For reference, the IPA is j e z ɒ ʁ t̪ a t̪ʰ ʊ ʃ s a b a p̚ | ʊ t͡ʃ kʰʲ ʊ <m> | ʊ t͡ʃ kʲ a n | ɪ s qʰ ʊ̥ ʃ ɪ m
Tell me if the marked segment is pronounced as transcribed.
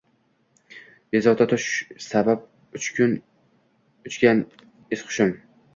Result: no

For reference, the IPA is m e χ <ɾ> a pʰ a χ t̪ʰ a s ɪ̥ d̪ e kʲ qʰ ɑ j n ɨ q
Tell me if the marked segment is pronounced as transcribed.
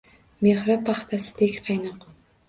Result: yes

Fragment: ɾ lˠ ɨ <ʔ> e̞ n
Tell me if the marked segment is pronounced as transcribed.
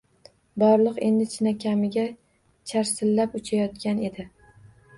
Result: no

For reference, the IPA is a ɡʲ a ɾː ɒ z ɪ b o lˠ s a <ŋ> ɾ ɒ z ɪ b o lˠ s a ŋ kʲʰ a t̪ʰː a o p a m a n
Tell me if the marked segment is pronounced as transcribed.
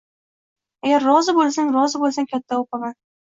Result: yes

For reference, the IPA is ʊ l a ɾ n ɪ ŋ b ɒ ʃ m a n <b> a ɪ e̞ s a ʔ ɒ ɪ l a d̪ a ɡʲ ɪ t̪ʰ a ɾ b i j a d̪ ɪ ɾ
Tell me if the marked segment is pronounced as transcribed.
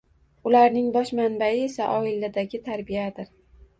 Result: yes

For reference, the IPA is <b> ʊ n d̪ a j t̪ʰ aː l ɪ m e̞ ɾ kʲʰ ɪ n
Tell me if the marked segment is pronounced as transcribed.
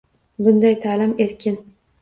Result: yes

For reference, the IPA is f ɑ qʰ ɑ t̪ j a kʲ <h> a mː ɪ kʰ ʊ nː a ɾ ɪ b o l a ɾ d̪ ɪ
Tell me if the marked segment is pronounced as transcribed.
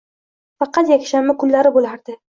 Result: no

